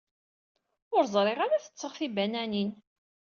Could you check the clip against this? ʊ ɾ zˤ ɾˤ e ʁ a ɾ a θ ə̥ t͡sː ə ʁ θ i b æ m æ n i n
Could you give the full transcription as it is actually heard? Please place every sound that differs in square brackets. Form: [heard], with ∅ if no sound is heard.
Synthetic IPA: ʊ ɾ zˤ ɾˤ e ʁ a ɾ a θ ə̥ t͡sː ə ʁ θ i b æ [n] æ n i n